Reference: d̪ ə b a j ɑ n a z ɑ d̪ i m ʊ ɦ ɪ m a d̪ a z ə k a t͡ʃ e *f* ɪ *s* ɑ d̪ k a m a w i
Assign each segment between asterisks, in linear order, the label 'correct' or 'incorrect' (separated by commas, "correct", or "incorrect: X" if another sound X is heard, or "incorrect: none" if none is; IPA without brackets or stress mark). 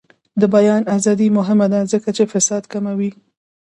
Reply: correct, correct